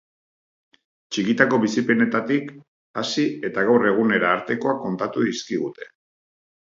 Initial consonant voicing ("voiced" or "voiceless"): voiceless